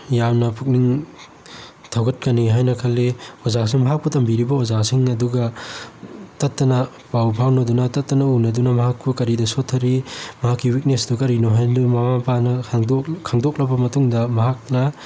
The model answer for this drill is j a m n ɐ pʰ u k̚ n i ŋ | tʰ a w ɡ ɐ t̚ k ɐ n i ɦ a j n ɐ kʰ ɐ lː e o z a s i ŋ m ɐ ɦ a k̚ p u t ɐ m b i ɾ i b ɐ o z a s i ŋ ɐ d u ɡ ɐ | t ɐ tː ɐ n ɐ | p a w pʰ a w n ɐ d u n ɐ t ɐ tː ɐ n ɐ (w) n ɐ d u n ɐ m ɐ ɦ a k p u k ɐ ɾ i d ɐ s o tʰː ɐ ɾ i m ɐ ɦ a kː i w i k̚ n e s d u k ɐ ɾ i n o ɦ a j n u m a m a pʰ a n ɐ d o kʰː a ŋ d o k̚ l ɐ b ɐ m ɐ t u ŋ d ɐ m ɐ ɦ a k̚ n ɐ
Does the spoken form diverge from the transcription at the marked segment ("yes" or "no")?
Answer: yes